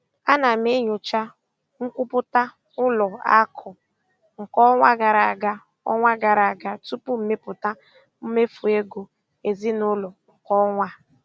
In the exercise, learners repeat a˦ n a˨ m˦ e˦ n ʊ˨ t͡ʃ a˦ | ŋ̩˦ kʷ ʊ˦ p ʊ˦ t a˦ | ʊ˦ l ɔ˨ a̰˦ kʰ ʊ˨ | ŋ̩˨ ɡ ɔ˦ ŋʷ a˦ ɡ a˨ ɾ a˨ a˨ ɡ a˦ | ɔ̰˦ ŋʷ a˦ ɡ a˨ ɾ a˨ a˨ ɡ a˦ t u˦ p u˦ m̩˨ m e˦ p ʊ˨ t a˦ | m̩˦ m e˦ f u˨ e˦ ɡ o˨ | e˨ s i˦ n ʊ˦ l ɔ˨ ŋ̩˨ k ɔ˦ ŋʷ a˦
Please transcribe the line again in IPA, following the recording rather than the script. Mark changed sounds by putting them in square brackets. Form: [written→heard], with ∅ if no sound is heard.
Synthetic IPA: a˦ n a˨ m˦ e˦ [n→ɲ] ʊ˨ t͡ʃ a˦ | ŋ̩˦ kʷ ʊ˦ p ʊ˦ t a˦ | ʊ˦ l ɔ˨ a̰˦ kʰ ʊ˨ | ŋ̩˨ [ɡ→k] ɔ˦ ŋʷ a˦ ɡ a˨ ɾ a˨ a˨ ɡ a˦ | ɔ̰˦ ŋʷ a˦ ɡ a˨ ɾ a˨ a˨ ɡ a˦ t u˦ p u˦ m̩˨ m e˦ p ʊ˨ t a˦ | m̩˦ m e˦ f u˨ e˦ ɡ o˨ | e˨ [s→z] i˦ n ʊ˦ l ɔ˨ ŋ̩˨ k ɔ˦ ŋʷ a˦